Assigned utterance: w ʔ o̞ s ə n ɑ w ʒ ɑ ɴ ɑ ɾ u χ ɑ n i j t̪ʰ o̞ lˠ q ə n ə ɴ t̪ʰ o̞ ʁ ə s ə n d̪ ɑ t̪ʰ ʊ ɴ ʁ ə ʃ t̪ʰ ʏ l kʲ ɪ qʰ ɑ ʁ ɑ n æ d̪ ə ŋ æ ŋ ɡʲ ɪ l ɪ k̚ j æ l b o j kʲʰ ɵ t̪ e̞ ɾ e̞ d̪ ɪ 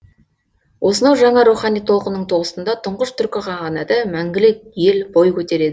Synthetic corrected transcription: w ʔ o̞ s ə n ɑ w ʒ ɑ ɴ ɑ ɾ u χ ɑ n i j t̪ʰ o̞ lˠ q ə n ə ɴ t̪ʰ o̞ ʁ ə s ə n d̪ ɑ t̪ʰ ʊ ɴ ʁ ə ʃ t̪ʰ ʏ ɾ kʲ ɪ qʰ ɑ ʁ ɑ n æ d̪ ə m æ ŋ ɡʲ ɪ l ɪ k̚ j e l b o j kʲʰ ɵ t̪ e̞ ɾ e̞ d̪ ɪ